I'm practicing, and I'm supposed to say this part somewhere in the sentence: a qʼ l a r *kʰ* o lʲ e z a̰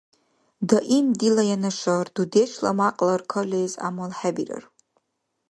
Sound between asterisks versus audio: correct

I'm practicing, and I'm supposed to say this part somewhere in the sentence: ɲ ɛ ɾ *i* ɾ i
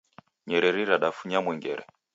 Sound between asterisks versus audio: incorrect: ɛ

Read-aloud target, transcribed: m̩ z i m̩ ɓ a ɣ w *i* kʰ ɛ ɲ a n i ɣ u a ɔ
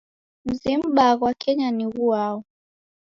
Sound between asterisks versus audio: incorrect: a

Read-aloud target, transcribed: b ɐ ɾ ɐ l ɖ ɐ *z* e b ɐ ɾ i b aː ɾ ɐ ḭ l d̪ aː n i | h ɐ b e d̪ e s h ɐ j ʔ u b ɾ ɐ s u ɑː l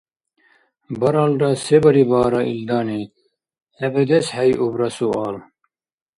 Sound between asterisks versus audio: incorrect: s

